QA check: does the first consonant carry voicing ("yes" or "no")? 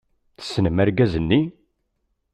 no